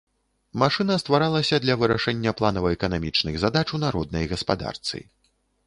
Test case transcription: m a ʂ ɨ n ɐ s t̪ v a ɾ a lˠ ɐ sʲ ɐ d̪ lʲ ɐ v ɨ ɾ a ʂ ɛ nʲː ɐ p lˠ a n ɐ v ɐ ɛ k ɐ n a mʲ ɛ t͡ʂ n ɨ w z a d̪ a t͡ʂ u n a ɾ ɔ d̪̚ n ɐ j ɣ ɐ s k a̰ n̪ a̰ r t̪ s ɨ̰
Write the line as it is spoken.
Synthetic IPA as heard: m a ʂ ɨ n ɐ s t̪ v a ɾ a lˠ ɐ sʲ ɐ d̪ lʲ ɐ v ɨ ɾ a ʂ ɛ nʲː ɐ p lˠ a n ɐ v ɐ ɛ k ɐ n a mʲ i t͡ʂ n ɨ ɣ z a d̪ a t͡ʂ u n a ɾ ɔ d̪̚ n ɐ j ɣ ɐ s p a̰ d̪ a̰ r t̪ s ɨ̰